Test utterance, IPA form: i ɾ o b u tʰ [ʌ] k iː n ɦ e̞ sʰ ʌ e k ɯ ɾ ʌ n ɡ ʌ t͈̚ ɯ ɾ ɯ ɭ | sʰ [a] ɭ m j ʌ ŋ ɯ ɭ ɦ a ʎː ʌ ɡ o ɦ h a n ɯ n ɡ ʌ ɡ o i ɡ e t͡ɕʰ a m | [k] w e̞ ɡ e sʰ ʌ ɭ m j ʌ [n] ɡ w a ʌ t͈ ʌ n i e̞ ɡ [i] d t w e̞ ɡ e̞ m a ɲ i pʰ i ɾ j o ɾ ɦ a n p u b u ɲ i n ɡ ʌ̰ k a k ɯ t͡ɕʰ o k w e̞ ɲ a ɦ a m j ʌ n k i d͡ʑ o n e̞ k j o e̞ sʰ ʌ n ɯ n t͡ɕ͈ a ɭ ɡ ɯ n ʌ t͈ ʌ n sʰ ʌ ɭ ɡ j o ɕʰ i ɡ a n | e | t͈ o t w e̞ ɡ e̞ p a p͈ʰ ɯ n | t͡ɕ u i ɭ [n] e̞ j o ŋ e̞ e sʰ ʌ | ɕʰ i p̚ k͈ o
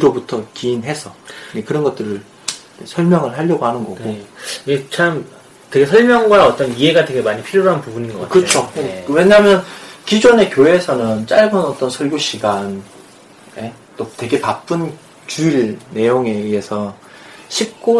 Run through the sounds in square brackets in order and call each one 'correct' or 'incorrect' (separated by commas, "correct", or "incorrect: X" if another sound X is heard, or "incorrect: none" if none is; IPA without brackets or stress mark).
correct, incorrect: ʌ, incorrect: t, incorrect: ŋ, incorrect: a, correct